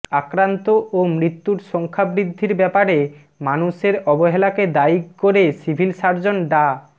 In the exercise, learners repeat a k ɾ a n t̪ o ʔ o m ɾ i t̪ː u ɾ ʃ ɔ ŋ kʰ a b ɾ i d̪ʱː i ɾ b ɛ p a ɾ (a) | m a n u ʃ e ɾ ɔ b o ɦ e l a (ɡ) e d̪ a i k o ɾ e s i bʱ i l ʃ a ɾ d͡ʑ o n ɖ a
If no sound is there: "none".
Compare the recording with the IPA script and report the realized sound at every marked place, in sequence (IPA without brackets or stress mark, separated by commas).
e, k